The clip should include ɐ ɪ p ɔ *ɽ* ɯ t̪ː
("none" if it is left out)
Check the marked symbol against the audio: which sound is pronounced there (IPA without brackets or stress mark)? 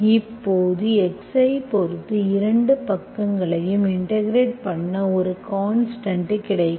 ɾ